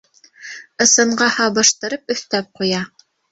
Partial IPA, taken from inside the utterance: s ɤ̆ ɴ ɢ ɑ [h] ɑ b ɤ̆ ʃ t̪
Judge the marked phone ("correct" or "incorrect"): correct